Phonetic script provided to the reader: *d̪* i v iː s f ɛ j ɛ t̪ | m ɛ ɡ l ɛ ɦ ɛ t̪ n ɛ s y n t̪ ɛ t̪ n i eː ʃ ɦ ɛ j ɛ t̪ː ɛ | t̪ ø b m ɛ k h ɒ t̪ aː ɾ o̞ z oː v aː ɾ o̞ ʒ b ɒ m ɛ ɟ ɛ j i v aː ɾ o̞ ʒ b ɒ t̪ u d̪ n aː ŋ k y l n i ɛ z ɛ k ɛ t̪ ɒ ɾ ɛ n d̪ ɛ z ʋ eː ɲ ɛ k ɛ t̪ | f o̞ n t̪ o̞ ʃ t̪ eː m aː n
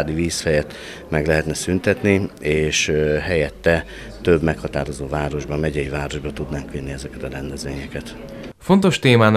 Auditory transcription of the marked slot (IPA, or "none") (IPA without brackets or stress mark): d̪